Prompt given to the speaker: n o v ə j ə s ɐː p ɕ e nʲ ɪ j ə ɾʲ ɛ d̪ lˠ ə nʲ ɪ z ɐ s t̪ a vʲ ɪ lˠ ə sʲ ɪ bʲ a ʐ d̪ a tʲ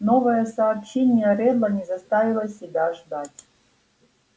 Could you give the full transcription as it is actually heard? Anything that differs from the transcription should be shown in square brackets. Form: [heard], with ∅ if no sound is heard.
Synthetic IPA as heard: n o v ə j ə s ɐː p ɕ e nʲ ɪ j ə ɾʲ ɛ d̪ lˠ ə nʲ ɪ z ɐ s t̪ a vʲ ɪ lˠ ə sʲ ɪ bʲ a ʐ d̪ a tʲ